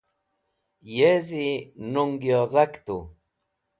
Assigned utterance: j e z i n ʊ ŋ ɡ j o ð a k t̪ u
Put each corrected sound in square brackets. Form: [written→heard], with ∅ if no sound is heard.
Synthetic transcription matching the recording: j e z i n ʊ ŋ ɡ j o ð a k t̪ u